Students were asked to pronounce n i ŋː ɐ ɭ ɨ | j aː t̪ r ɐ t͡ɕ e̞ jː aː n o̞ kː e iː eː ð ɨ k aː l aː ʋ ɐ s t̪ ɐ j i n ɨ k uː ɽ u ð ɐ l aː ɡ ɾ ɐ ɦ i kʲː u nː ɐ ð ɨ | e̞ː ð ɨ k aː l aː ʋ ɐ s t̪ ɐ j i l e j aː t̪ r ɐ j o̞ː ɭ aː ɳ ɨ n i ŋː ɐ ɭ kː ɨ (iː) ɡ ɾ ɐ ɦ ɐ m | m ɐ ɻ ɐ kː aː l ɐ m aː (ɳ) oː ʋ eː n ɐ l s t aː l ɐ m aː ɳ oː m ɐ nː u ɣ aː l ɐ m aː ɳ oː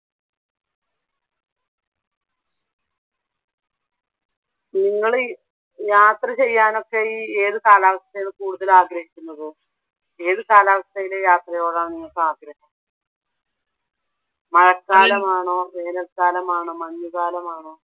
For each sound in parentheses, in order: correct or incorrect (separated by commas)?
incorrect, correct